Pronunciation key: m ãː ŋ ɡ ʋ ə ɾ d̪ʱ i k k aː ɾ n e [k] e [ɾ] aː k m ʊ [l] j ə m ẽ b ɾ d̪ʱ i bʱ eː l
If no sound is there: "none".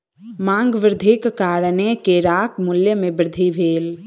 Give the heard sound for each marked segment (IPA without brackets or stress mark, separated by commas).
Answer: k, ɾ, l